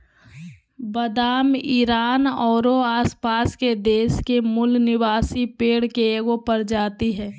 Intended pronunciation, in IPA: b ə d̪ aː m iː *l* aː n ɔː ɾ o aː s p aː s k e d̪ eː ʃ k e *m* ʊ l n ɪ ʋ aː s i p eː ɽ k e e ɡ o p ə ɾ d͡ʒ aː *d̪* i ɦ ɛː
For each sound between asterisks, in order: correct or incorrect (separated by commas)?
incorrect, correct, incorrect